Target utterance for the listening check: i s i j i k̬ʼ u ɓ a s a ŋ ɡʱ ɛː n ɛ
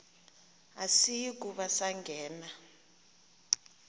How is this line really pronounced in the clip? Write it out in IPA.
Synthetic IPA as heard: a s i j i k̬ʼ u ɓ a s a ŋ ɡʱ ɛː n a